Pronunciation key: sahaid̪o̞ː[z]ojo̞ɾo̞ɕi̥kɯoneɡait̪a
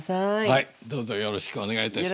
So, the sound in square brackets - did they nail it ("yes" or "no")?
yes